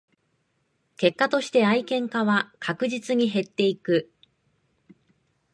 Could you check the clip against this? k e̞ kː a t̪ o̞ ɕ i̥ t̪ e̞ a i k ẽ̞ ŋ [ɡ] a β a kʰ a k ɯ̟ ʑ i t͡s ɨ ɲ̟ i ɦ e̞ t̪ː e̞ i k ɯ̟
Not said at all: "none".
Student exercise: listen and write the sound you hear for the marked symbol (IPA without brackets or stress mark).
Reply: k